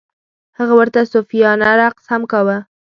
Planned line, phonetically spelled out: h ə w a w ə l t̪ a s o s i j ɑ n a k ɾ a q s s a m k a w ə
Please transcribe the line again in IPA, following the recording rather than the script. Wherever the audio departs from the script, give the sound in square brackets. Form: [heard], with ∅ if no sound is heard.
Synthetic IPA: h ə [ɣ] a w ə [ɾ] t̪ a s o [f] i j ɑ n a [∅] ɾ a q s [h] a m k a w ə